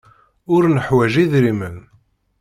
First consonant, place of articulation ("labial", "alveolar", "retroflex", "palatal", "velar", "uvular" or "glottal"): alveolar